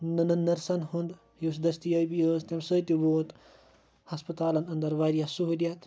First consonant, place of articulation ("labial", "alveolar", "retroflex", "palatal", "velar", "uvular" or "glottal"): alveolar